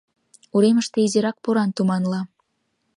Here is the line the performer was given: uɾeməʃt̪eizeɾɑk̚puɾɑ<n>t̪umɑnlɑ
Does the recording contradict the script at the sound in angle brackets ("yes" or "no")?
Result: no